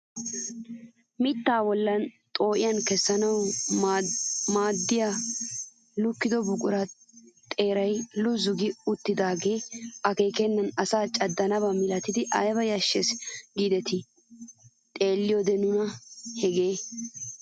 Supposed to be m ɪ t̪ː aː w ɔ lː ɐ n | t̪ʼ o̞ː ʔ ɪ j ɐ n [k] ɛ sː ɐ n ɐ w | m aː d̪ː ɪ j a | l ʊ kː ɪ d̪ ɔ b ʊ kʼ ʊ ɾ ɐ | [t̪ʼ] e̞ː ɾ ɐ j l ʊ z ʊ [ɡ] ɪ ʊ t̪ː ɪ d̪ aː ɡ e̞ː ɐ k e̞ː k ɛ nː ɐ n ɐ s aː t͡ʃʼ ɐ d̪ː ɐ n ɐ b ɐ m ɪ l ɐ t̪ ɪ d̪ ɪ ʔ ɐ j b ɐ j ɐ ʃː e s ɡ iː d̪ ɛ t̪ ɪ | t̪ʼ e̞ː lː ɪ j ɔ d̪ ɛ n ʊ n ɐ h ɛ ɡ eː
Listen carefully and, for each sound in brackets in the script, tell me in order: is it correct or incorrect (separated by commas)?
correct, correct, correct